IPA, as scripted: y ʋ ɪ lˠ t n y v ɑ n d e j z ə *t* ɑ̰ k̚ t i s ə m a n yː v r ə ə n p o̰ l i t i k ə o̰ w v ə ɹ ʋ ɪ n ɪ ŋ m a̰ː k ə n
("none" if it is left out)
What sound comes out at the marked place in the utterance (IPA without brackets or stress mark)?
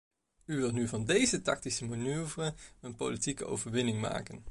t